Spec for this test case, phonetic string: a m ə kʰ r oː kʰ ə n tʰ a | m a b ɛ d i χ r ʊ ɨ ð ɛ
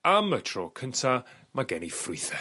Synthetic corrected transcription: a m ə tʰ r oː kʰ ə n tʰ a | m a ɡ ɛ n i f r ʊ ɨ θ ɛ